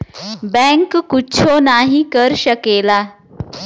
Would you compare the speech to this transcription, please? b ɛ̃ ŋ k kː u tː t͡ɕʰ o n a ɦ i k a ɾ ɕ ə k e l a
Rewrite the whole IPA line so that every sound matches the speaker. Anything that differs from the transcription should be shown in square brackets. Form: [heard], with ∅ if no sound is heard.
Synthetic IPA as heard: b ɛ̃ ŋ k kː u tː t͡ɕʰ o n a ɦ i k [ə] ɾ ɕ ə k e l a